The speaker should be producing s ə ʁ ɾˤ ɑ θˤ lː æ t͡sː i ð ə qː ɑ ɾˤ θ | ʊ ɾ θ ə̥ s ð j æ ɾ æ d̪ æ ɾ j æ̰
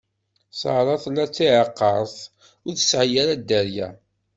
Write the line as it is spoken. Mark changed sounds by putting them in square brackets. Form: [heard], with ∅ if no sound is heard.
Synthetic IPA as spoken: s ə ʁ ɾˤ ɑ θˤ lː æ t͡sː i [ʕ] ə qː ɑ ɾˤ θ | ʊ ɾ θ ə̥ s [ʕ] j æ ɾ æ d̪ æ ɾ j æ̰